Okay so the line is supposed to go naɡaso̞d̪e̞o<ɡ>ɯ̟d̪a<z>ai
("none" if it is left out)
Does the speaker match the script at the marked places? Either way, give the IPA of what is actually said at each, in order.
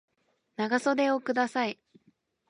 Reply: k, s

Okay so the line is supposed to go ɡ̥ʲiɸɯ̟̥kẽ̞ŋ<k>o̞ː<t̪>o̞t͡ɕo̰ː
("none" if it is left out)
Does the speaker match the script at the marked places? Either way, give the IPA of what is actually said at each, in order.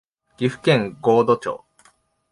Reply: ɡ, d̪

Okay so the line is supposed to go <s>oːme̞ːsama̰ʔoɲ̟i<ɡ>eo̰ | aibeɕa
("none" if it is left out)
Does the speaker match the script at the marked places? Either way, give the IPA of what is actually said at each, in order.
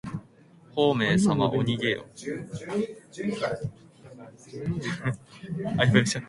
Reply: h, ɡ

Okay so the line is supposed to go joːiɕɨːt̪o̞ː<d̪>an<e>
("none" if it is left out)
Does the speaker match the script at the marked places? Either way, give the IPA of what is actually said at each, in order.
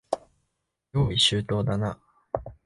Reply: d̪, a

